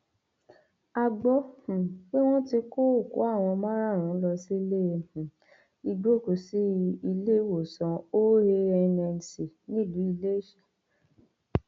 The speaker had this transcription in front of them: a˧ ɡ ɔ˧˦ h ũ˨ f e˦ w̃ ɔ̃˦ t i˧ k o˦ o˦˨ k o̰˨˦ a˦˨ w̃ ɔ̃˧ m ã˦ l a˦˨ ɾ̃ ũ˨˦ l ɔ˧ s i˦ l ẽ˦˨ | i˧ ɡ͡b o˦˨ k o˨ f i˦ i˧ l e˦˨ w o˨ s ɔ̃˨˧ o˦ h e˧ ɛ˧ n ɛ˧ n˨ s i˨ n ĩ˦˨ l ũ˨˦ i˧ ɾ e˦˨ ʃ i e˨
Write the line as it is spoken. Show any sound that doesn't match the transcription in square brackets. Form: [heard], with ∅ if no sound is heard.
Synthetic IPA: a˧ [ɡ͡b] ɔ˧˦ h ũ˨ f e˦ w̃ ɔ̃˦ t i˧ k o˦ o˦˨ k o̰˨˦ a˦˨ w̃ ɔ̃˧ m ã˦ [ɾ] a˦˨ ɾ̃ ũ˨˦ l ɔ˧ s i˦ l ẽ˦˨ | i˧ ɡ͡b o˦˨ k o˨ [s] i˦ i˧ l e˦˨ w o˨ s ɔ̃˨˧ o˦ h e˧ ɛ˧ n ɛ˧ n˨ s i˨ n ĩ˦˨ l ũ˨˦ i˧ [l] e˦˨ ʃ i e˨